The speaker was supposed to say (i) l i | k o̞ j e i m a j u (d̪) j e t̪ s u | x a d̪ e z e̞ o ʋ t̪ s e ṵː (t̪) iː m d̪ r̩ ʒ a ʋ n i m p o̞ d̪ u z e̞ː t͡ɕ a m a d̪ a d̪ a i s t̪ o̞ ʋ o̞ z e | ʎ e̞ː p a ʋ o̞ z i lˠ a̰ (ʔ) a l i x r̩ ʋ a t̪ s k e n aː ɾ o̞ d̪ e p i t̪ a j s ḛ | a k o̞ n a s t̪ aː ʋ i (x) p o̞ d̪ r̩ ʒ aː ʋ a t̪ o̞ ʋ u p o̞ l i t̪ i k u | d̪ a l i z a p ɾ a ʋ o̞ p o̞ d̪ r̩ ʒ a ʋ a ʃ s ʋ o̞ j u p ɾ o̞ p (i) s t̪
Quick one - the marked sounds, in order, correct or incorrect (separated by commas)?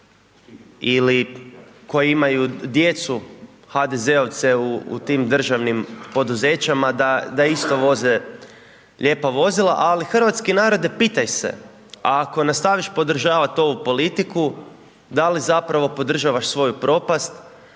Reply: correct, correct, correct, correct, incorrect, incorrect